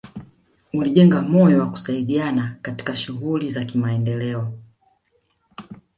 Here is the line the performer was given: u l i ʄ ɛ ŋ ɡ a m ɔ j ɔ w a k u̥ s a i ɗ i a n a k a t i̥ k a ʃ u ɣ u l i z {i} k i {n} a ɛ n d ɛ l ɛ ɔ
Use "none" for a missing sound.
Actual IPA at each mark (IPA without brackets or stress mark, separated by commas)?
a, m